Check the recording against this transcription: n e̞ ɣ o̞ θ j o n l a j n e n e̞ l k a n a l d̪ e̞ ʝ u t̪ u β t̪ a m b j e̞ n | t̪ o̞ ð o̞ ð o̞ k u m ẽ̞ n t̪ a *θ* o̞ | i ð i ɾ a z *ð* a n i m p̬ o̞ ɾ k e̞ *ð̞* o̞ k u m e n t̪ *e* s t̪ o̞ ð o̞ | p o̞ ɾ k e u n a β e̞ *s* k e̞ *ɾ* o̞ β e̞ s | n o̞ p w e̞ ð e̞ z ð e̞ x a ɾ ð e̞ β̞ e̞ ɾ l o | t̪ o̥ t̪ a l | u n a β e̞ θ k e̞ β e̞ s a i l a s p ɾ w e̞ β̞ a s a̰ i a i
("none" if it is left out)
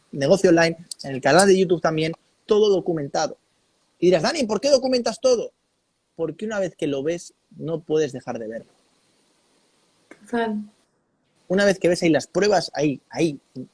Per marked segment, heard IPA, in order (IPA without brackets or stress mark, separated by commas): ð, ð, ð̞, a, θ, l